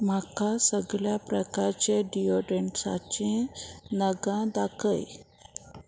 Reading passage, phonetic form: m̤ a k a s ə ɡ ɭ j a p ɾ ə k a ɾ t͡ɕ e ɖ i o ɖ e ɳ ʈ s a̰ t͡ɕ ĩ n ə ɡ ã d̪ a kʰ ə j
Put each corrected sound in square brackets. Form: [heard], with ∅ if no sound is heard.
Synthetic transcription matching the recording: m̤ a k a s ə ɡ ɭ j a p ɾ ə k a ɾ t͡ɕ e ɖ i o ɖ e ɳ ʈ s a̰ t͡ɕ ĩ n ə ɡ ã d̪ a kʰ ə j